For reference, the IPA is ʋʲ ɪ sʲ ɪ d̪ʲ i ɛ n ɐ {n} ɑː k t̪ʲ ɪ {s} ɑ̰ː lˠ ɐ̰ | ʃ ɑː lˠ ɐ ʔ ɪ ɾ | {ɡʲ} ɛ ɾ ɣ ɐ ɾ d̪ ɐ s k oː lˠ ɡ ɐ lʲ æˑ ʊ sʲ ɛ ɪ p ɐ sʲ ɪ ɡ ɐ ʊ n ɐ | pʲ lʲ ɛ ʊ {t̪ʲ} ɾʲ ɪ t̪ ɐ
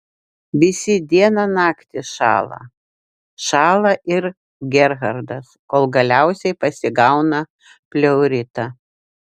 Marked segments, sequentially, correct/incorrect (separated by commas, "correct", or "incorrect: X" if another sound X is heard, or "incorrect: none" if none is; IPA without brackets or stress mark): correct, incorrect: ʃ, correct, incorrect: none